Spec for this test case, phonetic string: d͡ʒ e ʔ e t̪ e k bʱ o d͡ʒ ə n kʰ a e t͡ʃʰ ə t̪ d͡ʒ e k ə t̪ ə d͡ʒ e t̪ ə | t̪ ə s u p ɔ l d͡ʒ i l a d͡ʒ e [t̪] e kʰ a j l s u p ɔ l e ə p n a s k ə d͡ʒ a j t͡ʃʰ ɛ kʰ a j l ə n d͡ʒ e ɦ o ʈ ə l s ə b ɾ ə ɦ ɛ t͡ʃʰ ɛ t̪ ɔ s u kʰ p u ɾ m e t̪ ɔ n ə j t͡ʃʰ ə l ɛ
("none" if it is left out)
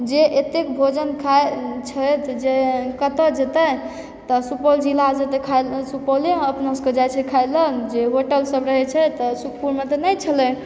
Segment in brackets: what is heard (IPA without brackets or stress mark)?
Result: t̪